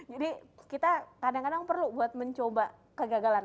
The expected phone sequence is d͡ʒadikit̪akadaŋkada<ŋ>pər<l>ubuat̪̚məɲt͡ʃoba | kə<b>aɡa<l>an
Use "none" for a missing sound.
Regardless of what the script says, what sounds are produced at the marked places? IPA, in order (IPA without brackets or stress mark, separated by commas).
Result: ŋ, l, ɡ, l